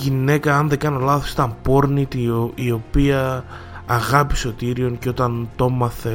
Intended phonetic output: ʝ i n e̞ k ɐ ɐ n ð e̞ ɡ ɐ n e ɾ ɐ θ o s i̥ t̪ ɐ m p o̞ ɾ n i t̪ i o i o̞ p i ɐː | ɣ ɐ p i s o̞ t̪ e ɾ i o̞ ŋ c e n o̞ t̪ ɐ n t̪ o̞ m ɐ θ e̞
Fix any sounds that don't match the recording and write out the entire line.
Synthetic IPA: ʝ i n e̞ k ɐ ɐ n ð e̞ ɡ ɐ n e l ɐ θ o s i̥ t̪ ɐ m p o̞ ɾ n i t̪ i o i o̞ p i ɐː | ɣ ɐ p i s o̞ t̪ i ɾ i o̞ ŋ c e o̞ t̪ ɐ n t̪ o̞ m ɐ θ e̞